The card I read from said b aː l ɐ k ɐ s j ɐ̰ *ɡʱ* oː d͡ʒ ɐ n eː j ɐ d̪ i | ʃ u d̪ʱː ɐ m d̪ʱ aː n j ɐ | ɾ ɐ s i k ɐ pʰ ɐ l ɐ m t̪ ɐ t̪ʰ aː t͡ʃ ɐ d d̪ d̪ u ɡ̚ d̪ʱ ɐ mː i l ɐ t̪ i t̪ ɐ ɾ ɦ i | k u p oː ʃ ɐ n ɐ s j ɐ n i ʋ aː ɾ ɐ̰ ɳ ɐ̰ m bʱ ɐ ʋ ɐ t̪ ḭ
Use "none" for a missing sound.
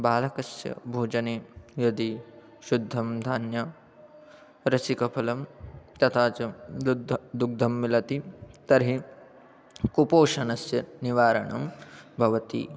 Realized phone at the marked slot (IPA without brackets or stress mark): bʱ